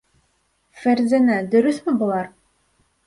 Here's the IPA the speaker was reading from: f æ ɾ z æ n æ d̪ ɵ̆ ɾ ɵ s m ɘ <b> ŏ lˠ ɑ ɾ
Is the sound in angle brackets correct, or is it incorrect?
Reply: correct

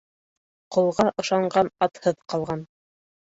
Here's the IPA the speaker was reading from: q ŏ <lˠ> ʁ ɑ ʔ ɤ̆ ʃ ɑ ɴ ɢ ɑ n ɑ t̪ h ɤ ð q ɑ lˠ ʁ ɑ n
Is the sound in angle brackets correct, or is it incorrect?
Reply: correct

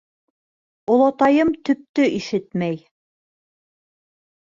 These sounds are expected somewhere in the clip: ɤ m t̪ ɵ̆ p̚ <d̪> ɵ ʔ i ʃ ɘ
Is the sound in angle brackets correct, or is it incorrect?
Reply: incorrect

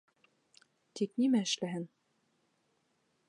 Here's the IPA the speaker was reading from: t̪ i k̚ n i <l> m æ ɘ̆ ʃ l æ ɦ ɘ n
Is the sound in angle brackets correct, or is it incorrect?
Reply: incorrect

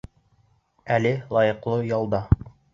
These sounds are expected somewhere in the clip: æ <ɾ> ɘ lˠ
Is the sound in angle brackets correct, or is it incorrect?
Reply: incorrect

